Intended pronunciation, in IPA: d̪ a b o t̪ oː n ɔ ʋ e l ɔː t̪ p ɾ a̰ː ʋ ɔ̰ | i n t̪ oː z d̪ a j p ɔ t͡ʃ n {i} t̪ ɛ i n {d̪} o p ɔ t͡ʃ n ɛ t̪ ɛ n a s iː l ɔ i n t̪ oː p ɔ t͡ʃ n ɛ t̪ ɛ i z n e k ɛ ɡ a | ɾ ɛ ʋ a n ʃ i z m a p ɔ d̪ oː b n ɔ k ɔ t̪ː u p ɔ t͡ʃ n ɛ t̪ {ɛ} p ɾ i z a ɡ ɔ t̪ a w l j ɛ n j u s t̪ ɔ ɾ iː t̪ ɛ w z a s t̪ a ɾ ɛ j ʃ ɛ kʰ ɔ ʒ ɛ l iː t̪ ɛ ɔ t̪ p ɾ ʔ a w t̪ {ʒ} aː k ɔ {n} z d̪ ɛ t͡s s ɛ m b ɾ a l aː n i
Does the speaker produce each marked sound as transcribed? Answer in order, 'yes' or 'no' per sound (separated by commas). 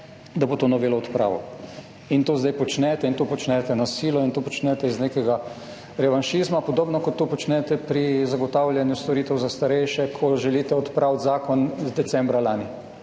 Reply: no, no, yes, no, yes